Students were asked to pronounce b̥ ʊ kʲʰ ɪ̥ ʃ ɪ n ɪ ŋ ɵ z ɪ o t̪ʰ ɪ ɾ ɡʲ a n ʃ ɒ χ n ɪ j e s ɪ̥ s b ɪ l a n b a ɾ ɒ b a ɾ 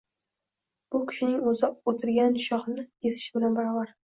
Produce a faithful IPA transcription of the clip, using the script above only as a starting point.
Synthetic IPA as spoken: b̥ ʊ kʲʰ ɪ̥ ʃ ɪ n ɪ ŋ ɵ z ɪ o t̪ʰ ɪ ɾ ɡʲ a n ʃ ɒ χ n ɪ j e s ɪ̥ ʃ b ɪ l a n b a ɾ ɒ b a ɾ